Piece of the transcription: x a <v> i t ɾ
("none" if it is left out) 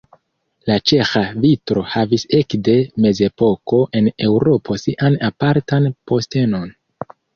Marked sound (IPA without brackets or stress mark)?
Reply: v